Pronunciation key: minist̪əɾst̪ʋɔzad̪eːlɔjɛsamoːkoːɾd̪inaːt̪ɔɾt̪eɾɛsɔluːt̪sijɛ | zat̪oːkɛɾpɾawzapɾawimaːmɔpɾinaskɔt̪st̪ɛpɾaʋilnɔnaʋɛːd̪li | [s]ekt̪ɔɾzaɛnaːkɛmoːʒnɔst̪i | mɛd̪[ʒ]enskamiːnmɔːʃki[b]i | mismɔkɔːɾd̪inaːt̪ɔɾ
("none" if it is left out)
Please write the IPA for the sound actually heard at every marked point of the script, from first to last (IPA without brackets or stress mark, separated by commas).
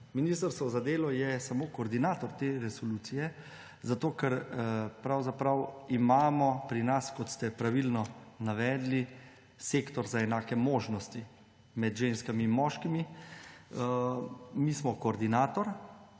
s, ʒ, m